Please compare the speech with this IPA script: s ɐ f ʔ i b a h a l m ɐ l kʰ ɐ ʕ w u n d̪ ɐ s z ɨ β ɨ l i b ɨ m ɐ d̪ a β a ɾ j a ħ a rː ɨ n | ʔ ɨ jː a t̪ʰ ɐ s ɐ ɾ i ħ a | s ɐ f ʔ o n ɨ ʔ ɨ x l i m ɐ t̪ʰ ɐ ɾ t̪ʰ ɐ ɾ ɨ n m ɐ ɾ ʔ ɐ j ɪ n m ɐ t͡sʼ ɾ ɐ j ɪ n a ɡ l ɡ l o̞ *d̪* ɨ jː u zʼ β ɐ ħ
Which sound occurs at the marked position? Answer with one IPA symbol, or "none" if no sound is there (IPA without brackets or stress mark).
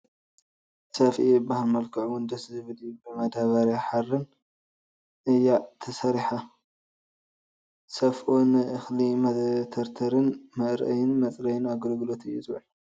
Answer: t̪